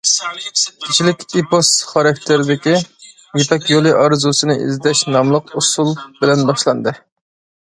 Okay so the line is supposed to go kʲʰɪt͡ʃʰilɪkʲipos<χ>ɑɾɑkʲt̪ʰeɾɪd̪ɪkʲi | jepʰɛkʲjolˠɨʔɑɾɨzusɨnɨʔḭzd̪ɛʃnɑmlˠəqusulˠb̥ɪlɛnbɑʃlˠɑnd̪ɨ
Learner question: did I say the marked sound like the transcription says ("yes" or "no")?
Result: yes